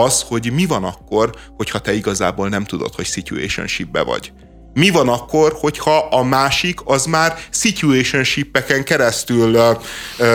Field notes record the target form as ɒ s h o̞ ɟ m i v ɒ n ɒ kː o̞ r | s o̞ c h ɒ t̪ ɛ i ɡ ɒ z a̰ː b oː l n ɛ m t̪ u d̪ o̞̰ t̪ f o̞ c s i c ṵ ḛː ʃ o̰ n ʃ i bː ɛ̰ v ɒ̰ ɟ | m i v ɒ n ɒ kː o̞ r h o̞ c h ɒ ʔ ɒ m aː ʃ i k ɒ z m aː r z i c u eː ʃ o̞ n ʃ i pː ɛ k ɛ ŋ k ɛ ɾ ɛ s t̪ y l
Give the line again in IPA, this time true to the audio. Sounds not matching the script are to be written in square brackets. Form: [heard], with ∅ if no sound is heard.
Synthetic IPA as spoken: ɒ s h o̞ ɟ m i v ɒ n ɒ kː o̞ r | [h] o̞ c h ɒ t̪ ɛ i ɡ ɒ z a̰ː b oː l n ɛ m t̪ u d̪ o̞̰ t̪ [h] o̞ c s i c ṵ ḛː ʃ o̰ n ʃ i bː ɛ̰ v ɒ̰ ɟ | m i v ɒ n ɒ kː o̞ r h o̞ c h ɒ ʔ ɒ m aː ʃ i k ɒ z m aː r [s] i c u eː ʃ o̞ n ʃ i pː ɛ k ɛ ŋ k ɛ ɾ ɛ s t̪ y l